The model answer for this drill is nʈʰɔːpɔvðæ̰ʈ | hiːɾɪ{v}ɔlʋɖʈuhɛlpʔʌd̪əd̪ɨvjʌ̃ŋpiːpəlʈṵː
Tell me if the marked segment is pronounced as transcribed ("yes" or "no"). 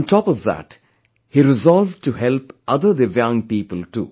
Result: no